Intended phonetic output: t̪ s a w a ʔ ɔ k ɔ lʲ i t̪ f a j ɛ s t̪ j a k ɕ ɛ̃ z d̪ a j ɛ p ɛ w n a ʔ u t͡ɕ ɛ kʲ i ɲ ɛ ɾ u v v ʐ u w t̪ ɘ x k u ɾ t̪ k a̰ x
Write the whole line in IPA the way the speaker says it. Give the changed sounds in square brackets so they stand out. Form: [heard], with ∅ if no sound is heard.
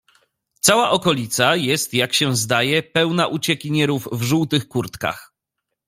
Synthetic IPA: t̪ s a w a ʔ ɔ k ɔ lʲ i t̪ [s] a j ɛ s t̪ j a k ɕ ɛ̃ z d̪ a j ɛ p ɛ w n a ʔ u t͡ɕ ɛ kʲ i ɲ ɛ ɾ u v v ʐ u w t̪ ɘ x k u ɾ t̪ k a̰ x